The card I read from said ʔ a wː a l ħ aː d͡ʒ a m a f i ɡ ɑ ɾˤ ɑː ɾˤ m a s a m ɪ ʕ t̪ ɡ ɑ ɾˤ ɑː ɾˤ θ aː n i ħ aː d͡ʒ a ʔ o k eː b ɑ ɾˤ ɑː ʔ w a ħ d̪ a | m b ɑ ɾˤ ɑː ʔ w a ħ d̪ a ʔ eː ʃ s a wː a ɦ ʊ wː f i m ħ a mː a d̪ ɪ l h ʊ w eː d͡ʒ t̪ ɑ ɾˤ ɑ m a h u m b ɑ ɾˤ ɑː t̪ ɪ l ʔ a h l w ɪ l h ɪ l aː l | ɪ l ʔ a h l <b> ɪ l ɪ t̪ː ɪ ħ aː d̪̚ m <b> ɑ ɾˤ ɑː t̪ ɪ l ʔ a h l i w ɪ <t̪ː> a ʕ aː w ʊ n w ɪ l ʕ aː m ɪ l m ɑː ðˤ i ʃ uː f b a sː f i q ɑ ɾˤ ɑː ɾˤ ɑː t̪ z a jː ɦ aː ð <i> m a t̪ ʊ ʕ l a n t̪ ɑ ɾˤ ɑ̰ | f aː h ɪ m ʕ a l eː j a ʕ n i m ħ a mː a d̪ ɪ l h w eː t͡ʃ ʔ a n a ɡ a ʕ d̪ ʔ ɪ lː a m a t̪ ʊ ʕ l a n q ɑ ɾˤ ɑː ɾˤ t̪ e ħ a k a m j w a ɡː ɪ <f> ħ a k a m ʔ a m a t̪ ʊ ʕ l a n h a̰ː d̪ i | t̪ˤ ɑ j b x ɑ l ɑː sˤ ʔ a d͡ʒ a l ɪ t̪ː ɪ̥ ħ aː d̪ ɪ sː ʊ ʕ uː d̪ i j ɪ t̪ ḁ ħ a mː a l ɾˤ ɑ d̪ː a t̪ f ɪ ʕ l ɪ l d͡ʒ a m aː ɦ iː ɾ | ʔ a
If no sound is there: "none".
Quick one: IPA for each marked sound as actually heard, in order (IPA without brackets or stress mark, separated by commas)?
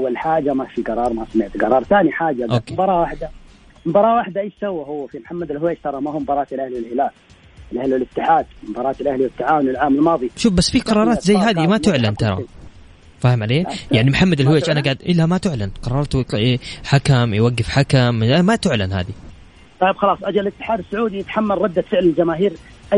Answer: w, b, t̪ː, i, f